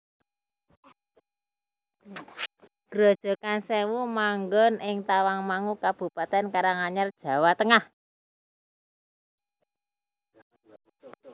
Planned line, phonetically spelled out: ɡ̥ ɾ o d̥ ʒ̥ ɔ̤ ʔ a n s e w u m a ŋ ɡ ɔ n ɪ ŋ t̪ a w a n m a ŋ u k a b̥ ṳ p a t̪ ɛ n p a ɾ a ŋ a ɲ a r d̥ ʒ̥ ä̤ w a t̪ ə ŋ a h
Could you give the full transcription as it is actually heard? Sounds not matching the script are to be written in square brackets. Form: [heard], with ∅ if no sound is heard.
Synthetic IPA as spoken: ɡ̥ ɾ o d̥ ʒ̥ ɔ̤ [k] a n s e w u m a ŋ ɡ ɔ n ɪ ŋ t̪ a w a [ŋ] m a ŋ u k a b̥ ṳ p a t̪ ɛ n [k] a ɾ a ŋ a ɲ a r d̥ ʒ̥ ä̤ w a t̪ ə ŋ a h